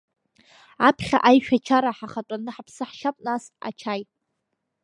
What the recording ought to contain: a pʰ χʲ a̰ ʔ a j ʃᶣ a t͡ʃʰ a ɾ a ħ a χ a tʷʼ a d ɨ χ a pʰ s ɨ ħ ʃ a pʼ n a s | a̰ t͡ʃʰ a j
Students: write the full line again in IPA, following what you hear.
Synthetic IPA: a pʰ χʲ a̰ ʔ a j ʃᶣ a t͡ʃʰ a ɾ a ħ a χ a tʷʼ a n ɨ ħ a pʰ s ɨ ħ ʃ a pʼ n a s | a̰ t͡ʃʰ a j